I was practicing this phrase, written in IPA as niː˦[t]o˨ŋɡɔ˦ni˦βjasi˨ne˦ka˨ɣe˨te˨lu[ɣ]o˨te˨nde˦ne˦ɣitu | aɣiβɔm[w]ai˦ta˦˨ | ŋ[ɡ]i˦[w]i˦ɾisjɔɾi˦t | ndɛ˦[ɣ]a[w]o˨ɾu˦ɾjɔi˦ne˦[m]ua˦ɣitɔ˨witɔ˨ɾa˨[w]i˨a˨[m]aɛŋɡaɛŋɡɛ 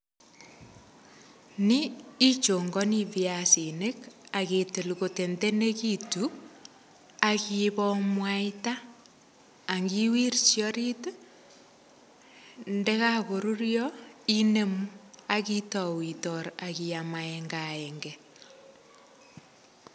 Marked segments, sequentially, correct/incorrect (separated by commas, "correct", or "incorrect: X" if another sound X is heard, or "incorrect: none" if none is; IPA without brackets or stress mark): incorrect: t͡ʃ, correct, correct, correct, correct, correct, incorrect: ɣ, correct, incorrect: ɣ, correct